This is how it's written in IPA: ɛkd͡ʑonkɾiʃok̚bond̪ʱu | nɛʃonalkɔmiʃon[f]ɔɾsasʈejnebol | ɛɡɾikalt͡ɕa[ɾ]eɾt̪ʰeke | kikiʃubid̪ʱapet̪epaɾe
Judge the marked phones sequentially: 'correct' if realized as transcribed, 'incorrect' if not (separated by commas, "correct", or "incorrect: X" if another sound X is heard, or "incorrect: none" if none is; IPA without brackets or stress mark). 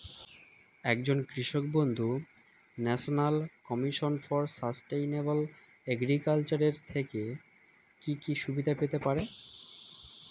correct, correct